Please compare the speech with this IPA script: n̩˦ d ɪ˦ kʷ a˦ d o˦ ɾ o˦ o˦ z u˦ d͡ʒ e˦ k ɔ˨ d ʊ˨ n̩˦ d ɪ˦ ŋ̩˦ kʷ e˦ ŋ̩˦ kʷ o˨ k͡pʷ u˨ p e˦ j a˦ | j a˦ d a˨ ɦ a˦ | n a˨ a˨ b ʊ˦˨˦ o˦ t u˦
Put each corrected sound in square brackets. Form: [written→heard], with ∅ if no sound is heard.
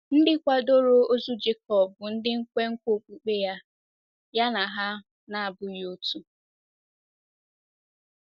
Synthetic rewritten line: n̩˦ d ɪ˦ kʷ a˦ d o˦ ɾ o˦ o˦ z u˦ d͡ʒ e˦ k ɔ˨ [d→b] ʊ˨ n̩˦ d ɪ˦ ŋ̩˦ kʷ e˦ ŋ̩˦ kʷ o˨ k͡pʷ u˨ [p→k͡p] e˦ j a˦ | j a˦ [d→n] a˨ ɦ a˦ | n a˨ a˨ b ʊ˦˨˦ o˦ t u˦